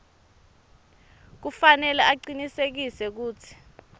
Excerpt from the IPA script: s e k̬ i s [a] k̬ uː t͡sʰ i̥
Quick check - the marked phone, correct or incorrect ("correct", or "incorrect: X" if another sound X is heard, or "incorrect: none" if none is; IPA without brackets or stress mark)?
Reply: incorrect: ɛ